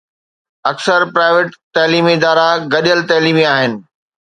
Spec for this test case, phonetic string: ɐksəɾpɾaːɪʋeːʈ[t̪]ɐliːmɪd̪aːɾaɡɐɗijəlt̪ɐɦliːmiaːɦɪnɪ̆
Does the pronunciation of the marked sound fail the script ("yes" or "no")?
no